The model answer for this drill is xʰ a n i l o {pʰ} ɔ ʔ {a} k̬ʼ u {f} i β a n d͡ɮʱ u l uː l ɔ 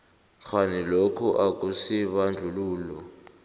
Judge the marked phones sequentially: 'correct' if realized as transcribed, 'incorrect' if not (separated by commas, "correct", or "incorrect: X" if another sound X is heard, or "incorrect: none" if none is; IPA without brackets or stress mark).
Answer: incorrect: kʰ, correct, incorrect: s